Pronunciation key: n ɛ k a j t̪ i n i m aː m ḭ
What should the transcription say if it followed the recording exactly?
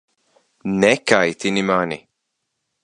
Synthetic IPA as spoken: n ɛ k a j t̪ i n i m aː n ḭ